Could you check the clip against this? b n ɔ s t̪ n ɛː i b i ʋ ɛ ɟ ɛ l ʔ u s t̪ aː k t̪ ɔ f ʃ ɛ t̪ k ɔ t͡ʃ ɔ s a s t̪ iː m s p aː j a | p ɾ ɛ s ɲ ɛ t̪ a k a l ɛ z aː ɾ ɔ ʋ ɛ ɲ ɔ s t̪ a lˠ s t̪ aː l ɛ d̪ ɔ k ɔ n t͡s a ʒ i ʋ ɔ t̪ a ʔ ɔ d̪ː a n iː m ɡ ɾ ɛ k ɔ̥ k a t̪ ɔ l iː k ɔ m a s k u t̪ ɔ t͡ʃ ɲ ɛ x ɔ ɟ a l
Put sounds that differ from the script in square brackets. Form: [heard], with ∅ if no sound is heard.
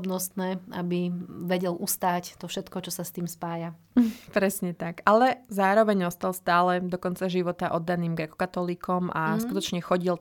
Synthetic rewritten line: b n ɔ s t̪ n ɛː [a] b i ʋ ɛ ɟ ɛ l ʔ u s t̪ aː [c] t̪ ɔ f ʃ ɛ t̪ k ɔ t͡ʃ ɔ s a s t̪ iː m s p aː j a | p ɾ ɛ s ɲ ɛ t̪ a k a l ɛ z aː ɾ ɔ ʋ ɛ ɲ ɔ s t̪ a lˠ s t̪ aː l ɛ d̪ ɔ k ɔ n t͡s a ʒ i ʋ ɔ t̪ a ʔ ɔ d̪ː a n iː m ɡ ɾ ɛ k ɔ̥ k a t̪ ɔ l iː k ɔ m a s k u t̪ ɔ t͡ʃ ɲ ɛ x ɔ ɟ [i] l